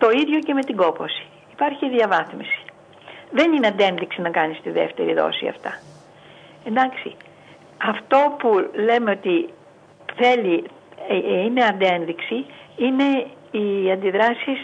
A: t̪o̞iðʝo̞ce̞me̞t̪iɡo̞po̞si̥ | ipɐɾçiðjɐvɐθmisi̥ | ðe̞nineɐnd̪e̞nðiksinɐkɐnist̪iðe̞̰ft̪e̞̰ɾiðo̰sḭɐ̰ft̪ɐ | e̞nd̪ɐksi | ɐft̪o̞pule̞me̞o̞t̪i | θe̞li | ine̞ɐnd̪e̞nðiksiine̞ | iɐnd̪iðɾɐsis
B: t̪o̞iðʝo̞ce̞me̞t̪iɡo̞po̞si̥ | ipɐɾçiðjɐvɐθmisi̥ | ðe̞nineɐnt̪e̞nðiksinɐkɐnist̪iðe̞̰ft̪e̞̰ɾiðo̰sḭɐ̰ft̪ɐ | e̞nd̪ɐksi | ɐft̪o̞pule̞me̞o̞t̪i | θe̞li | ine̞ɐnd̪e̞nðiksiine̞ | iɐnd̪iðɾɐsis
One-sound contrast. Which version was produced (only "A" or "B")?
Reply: A